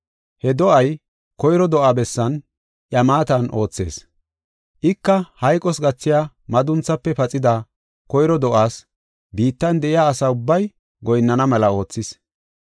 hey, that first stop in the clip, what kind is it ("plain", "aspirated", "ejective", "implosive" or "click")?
plain